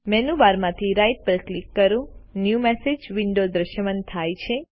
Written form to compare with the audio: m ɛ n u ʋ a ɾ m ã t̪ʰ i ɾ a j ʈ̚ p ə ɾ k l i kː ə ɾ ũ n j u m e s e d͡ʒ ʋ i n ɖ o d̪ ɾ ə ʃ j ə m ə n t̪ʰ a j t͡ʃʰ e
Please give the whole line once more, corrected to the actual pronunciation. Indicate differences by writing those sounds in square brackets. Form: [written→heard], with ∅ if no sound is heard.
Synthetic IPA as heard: m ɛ n u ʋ a ɾ m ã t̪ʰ i ɾ a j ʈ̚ p ə ɾ k l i kː ə ɾ ũ n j u m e s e d͡ʒ ʋ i [n→ɳ] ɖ o d̪ ɾ ə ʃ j ə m ə n t̪ʰ a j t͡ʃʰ e